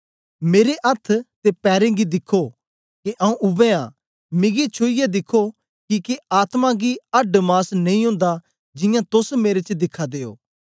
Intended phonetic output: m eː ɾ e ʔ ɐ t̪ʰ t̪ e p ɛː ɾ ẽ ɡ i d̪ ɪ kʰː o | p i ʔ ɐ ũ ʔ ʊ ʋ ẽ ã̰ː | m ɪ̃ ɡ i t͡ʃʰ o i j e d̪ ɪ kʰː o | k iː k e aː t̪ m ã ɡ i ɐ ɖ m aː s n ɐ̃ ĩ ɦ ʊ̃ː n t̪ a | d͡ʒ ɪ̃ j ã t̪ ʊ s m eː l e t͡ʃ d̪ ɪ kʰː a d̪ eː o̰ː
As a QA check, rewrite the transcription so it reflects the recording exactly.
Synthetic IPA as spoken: m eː ɾ e ʔ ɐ t̪ʰ t̪ e p ɛː ɾ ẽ ɡ i d̪ ɪ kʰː o | k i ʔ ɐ ũ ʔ ʊ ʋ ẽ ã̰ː | m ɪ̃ ɡ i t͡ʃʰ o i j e d̪ ɪ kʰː o | k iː k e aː t̪ m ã ɡ i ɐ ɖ m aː s n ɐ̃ ĩ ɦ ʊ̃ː n d̪ a | d͡ʒ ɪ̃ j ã t̪ ʊ s m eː ɾ e t͡ʃ d̪ ɪ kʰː a d̪ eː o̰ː